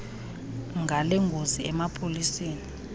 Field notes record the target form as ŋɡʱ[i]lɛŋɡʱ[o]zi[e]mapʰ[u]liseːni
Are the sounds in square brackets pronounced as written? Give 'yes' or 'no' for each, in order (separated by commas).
no, yes, no, no